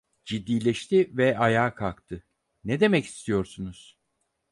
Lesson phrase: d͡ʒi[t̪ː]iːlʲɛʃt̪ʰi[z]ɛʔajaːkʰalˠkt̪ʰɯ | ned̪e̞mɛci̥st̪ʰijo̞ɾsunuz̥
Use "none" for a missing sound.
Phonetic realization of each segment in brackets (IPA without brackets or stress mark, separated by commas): d̪ː, v